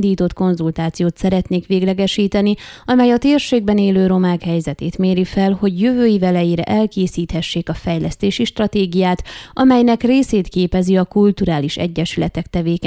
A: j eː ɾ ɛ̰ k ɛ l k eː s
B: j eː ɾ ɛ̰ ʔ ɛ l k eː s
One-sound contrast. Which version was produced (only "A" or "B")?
B